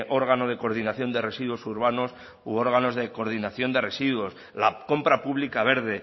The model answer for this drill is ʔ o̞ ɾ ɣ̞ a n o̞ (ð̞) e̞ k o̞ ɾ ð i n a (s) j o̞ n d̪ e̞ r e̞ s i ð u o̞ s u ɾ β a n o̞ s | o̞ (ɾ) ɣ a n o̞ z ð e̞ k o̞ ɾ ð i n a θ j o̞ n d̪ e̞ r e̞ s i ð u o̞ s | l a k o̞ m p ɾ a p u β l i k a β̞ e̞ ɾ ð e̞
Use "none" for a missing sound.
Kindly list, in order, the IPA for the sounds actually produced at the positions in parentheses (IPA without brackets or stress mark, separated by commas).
ð̞, θ, ɾ